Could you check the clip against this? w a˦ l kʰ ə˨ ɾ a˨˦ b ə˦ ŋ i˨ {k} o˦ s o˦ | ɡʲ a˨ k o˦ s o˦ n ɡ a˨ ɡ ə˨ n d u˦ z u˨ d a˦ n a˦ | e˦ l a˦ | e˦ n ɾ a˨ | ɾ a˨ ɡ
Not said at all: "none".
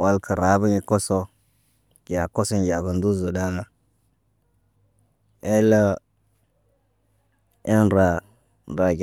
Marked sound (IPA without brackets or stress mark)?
k